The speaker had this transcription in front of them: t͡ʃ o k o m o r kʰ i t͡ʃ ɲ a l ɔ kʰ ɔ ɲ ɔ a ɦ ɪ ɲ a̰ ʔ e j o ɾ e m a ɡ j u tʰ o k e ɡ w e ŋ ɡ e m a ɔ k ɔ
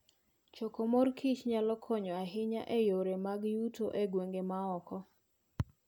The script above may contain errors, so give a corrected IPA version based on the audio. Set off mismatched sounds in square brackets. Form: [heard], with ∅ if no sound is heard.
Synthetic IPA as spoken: t͡ʃ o k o m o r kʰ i t͡ʃ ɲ a l ɔ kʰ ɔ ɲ ɔ a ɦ ɪ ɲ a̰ ʔ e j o ɾ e m a ɡ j u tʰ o [ʔ] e ɡ w e ŋ ɡ e m a ɔ k ɔ